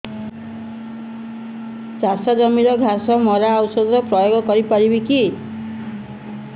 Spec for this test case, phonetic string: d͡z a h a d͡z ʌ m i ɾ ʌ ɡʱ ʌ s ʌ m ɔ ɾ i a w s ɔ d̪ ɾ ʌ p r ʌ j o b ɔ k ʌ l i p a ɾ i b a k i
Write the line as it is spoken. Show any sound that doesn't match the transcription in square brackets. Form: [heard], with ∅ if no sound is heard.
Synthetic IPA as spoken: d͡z a [s] a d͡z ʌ m i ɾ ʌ ɡʱ [a] s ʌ m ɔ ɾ [a] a w s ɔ d̪ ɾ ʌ p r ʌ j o [ɡ] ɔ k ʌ [ɾ] i p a ɾ i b [i] k i